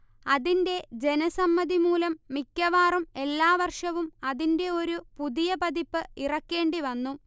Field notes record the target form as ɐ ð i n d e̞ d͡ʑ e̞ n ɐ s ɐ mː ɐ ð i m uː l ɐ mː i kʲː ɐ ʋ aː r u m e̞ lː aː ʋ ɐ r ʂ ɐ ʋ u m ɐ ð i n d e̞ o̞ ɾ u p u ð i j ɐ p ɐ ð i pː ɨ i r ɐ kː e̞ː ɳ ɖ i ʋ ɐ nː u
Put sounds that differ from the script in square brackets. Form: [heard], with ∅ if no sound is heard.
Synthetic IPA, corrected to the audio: ɐ ð i n d e̞ d͡ʑ e̞ n ɐ s ɐ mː ɐ ð i m uː l ɐ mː i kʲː ɐ ʋ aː r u m e̞ lː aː ʋ ɐ r ʂ ɐ ʋ u m ɐ ð i n d e̞ o̞ ɾ u p u ð i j ɐ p ɐ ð i pː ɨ i r ɐ kː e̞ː ɳ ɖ i ʋ ɐ nː u